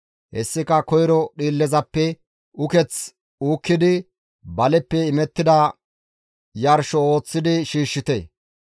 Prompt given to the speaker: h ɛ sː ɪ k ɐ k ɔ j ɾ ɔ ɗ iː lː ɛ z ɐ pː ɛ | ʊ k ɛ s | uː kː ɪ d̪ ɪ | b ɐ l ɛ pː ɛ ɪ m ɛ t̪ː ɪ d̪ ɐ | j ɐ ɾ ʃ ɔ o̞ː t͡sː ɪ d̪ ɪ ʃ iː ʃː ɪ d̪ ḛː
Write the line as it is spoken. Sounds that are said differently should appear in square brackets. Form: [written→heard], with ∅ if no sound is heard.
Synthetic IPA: h ɛ sː ɪ k ɐ k ɔ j ɾ ɔ ɗ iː lː ɛ z ɐ pː ɛ | ʊ k ɛ [s→t͡s] | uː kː ɪ d̪ ɪ | b ɐ l ɛ pː ɛ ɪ m ɛ t̪ː ɪ d̪ ɐ | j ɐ ɾ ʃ ɔ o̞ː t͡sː ɪ d̪ ɪ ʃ iː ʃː ɪ [d̪→t̪] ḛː